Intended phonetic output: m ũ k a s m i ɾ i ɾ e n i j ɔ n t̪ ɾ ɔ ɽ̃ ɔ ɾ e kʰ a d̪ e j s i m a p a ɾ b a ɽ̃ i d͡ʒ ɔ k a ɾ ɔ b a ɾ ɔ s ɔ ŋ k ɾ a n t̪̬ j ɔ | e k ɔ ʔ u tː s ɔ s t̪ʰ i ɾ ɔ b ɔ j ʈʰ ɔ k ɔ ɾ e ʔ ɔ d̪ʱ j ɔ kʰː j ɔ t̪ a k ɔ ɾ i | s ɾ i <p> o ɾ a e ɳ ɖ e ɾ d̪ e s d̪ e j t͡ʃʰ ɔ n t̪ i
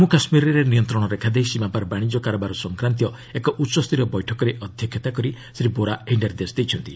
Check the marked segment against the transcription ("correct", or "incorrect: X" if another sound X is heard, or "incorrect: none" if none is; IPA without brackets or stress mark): incorrect: b